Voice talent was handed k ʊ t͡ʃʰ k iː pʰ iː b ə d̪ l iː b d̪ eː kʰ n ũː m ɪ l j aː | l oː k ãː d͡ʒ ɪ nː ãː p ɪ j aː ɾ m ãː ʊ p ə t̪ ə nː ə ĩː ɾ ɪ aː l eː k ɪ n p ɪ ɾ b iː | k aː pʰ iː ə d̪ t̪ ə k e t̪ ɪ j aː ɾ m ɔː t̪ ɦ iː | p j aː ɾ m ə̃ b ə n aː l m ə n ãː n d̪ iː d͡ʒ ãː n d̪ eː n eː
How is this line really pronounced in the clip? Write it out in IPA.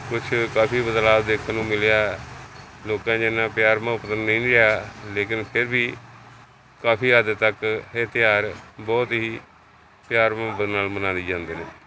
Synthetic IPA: k ʊ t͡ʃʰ k aː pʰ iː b ə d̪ l aː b d̪ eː kʰ n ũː m ɪ l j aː | l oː k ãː d͡ʒ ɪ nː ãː p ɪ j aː ɾ m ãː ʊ p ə t̪ ə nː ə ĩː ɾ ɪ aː l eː k ɪ n pʰ ɪ ɾ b iː | k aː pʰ iː ə d̪ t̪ ə k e t̪ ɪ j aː ɾ b ɔː t̪ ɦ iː | p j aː ɾ m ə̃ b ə n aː l m ə n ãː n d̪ iː d͡ʒ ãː n d̪ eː n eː